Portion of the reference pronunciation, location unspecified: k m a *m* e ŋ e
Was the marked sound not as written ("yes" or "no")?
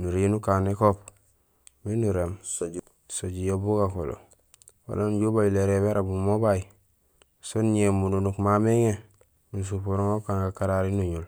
no